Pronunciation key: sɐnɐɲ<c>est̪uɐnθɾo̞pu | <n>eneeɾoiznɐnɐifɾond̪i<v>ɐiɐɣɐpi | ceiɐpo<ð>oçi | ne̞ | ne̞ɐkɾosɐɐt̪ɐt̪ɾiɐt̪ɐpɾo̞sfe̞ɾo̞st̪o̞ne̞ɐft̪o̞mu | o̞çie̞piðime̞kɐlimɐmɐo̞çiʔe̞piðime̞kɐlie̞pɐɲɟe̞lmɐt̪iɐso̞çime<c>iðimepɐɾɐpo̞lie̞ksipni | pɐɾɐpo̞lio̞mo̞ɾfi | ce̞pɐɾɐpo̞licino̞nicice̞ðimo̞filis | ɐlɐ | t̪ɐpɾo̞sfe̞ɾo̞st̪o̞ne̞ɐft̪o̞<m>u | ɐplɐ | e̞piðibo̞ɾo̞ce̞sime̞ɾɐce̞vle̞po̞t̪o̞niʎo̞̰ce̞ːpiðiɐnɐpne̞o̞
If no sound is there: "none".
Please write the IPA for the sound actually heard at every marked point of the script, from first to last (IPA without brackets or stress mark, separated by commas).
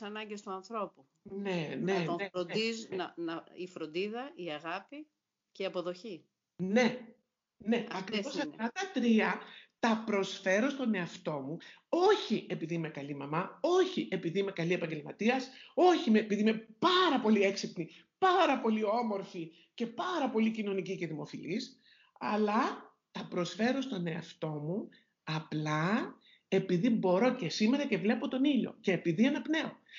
ɟ, n, ð, ð, p, m